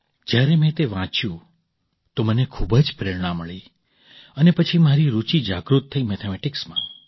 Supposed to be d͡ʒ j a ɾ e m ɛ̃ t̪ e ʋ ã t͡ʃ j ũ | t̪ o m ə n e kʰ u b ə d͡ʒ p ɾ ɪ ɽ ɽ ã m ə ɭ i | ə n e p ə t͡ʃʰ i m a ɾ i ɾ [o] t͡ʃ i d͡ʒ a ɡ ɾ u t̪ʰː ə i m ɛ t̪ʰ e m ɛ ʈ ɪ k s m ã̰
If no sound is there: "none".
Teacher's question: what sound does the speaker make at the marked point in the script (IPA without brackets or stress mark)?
u